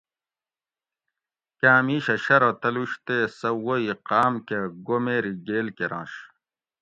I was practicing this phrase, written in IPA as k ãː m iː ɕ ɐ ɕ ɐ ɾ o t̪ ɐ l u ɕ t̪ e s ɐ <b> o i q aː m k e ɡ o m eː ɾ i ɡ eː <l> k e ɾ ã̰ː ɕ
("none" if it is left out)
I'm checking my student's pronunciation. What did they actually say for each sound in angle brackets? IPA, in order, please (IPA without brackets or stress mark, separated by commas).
w, l